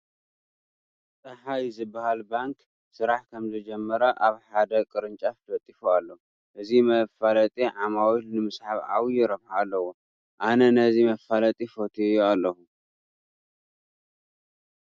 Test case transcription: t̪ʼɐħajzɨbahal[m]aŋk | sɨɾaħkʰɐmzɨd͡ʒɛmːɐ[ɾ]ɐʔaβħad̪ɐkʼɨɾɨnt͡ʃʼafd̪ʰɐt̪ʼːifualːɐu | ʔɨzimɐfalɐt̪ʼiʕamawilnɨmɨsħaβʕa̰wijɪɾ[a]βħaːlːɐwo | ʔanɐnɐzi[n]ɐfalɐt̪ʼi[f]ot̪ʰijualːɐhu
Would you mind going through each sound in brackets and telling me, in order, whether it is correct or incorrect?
incorrect: b, correct, incorrect: ɐ, incorrect: m, correct

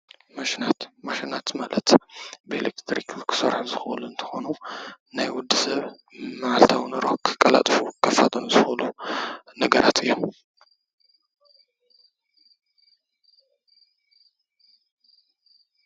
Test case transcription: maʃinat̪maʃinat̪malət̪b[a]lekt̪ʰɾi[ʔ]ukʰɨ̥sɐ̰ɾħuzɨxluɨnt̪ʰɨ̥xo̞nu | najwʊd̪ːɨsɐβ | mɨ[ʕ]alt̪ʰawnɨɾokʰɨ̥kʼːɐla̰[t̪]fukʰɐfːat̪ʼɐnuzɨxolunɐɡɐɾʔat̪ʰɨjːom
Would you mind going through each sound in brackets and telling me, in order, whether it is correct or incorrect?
incorrect: e, incorrect: k, correct, incorrect: t̪ʼ

